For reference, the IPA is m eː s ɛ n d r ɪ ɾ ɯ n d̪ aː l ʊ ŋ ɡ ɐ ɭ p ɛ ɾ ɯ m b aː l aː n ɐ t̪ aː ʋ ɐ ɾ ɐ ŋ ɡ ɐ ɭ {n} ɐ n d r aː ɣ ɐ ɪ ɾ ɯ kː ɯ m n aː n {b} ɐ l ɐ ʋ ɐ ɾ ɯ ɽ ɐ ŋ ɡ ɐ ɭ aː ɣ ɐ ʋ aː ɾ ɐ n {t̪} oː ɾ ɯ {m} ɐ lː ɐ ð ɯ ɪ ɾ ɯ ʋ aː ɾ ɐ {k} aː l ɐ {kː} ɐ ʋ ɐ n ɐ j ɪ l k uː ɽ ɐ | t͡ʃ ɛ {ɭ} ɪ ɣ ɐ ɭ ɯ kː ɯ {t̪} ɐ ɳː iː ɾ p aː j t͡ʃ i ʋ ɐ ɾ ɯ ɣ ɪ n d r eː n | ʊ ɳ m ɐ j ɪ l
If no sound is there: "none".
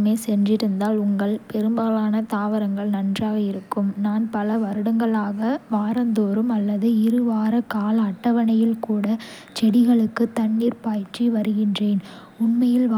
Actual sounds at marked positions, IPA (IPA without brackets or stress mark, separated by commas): n, p, d̪, m, k, ʈː, ɽ, t̪